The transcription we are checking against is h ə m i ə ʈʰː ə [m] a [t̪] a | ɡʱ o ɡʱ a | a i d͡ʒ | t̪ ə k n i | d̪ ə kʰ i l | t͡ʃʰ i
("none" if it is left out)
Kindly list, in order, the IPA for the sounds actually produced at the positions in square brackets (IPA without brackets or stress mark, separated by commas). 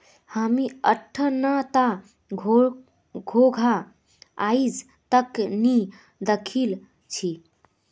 n, t̪